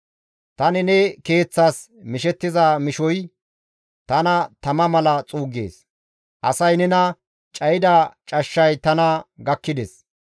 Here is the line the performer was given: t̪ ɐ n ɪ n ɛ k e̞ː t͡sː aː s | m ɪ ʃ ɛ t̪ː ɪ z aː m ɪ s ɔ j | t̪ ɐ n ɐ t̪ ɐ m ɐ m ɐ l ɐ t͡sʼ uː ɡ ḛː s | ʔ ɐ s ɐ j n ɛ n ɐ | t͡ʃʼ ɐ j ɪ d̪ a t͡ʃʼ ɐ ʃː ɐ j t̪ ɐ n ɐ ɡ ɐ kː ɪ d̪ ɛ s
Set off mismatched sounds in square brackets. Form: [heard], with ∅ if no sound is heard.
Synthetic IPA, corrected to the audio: t̪ ɐ n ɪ n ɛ k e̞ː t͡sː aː s | m ɪ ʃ ɛ t̪ː ɪ z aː m ɪ [ʃ] ɔ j | t̪ ɐ n ɐ t̪ ɐ m ɐ m ɐ l ɐ t͡sʼ uː ɡ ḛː s | ʔ ɐ s ɐ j n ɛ n ɐ | t͡ʃʼ ɐ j ɪ d̪ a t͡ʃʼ ɐ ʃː ɐ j t̪ ɐ n ɐ ɡ ɐ kː ɪ d̪ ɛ s